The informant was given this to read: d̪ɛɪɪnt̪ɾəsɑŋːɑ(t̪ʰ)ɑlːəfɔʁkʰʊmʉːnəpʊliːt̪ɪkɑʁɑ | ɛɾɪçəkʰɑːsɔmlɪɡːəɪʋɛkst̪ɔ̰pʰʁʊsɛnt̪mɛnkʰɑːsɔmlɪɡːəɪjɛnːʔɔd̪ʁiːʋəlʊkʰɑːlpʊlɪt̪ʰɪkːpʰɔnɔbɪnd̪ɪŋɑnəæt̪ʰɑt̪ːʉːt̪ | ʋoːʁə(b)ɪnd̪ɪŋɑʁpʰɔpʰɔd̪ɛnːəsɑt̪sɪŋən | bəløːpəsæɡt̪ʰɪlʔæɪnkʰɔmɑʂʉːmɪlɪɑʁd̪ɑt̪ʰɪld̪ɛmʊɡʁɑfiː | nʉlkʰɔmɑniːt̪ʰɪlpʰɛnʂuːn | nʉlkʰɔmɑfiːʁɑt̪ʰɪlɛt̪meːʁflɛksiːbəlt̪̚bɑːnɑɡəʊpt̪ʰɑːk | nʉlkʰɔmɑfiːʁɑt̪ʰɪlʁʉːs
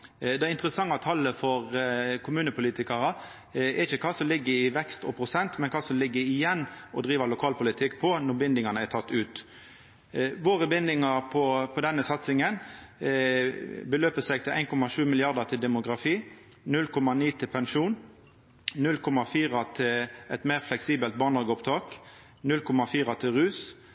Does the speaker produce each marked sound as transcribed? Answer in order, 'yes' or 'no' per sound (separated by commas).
yes, yes